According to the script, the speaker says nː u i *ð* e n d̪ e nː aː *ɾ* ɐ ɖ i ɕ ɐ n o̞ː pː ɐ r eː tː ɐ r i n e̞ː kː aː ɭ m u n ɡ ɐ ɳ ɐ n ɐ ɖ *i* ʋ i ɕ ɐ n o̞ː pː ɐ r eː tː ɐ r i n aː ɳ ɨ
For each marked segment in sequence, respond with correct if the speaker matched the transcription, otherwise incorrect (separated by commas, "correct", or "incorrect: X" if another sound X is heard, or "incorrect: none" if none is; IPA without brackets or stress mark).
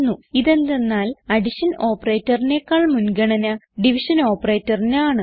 correct, incorrect: l, correct